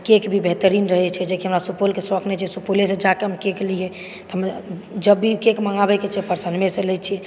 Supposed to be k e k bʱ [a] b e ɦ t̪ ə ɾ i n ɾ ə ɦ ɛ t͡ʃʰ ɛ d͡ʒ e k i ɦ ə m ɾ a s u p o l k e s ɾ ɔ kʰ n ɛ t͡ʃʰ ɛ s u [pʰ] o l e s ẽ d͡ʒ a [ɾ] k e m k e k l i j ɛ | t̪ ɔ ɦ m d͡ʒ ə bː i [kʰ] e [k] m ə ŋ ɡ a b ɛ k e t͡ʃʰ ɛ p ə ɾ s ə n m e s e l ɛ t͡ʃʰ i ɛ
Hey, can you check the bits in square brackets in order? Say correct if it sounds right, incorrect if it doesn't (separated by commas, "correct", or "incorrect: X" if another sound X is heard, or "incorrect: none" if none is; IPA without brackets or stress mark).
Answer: incorrect: i, incorrect: p, incorrect: none, incorrect: k, correct